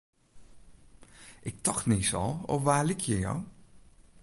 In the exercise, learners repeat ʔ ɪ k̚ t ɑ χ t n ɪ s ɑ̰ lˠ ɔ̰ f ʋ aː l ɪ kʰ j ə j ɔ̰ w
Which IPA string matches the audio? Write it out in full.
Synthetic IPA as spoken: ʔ ɪ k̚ t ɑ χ t n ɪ s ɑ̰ lˠ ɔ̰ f ʋ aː l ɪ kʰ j ə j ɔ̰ w